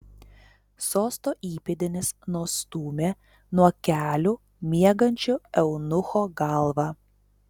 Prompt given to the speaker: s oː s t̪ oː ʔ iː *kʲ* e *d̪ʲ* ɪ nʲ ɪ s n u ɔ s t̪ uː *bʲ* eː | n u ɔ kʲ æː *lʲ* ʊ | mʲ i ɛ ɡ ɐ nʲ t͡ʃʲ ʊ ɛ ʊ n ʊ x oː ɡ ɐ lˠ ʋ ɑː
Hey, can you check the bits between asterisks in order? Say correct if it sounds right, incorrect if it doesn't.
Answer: incorrect: pʲ, correct, incorrect: mʲ, correct

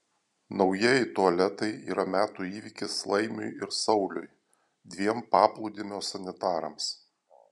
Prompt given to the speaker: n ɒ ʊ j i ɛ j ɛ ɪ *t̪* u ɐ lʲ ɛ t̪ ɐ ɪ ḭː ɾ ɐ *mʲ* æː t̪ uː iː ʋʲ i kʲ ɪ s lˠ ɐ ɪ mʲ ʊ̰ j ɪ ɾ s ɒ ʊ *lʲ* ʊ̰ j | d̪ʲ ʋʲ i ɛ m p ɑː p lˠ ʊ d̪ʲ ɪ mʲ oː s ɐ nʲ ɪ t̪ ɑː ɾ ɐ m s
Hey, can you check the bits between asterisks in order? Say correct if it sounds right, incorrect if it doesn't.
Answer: correct, correct, correct

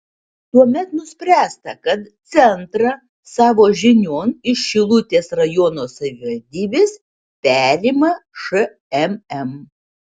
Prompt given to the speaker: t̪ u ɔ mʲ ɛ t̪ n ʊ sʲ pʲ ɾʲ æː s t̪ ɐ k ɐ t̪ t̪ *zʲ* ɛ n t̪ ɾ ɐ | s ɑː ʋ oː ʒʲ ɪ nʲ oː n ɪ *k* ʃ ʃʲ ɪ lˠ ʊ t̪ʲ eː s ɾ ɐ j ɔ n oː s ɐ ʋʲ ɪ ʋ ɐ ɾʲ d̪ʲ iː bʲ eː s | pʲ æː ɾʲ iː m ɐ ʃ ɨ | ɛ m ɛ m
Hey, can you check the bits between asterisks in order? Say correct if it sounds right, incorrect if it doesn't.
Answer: incorrect: sʲ, incorrect: none

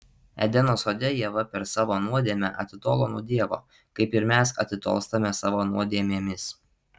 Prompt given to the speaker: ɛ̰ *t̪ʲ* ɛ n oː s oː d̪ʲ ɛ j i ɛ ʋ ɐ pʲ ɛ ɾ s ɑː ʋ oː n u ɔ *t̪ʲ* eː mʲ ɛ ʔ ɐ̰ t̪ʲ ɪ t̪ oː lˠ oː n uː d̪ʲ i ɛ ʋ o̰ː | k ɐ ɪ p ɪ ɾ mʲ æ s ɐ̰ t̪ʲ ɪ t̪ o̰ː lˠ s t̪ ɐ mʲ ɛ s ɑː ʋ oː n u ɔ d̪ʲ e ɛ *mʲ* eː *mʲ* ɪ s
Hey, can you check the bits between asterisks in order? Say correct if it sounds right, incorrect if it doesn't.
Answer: incorrect: d̪ʲ, incorrect: d̪ʲ, correct, correct

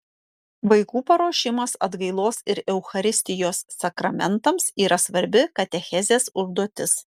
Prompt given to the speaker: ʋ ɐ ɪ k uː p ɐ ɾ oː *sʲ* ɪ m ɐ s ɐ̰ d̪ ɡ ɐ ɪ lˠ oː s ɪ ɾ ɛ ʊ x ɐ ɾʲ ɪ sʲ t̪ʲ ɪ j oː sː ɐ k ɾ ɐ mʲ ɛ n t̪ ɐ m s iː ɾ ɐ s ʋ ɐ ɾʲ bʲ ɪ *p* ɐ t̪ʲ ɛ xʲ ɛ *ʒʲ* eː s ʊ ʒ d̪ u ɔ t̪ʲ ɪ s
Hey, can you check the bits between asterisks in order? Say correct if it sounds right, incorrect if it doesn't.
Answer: incorrect: ʃʲ, incorrect: k, incorrect: zʲ

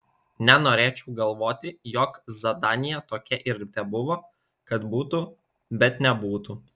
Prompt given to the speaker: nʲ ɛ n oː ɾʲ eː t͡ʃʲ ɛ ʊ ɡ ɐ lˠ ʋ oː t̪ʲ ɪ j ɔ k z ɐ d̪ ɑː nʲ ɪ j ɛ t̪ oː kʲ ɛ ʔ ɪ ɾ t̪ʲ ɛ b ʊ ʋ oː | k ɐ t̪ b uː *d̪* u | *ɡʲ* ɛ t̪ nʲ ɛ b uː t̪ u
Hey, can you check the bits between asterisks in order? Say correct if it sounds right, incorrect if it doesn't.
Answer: incorrect: t̪, incorrect: bʲ

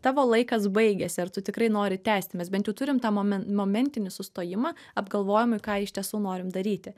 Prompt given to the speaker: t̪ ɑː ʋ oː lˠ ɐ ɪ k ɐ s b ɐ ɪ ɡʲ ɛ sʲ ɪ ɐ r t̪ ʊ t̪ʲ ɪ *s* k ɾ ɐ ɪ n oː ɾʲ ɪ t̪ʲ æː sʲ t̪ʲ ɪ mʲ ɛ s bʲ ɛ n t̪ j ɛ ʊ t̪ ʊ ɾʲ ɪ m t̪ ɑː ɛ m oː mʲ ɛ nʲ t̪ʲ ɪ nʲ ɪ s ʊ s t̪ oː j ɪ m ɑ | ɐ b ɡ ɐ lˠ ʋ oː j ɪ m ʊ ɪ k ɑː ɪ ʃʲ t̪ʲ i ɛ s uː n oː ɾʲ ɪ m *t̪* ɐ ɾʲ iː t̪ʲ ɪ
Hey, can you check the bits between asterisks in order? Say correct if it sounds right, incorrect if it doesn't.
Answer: incorrect: none, incorrect: d̪

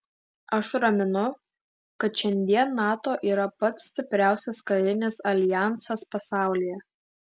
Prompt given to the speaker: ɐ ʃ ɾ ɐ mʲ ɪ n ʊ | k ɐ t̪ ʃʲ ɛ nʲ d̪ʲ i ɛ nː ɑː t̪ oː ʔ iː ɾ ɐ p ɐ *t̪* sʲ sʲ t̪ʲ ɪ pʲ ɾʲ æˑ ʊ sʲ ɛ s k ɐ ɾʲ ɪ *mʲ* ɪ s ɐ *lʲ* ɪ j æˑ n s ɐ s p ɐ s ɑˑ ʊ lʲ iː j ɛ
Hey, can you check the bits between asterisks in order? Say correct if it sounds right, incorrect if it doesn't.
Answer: correct, incorrect: nʲ, correct

